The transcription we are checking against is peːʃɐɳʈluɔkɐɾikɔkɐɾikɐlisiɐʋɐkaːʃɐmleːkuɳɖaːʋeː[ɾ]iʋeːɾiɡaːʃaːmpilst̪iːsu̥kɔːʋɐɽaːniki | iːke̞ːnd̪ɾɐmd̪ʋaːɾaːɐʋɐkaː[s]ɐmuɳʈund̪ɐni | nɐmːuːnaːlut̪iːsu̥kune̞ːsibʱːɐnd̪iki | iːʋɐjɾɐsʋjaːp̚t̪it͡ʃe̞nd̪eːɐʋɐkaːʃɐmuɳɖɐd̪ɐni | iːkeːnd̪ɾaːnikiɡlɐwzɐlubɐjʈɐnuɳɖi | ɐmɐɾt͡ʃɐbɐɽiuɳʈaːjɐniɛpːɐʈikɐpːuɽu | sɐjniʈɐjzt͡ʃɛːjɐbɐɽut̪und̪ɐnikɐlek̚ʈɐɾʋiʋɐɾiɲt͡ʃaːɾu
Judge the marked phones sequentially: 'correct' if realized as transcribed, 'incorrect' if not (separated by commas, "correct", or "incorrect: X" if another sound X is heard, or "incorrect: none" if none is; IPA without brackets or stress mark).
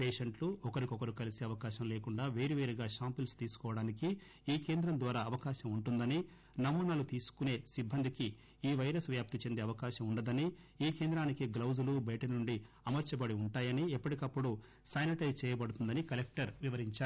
correct, incorrect: ʃ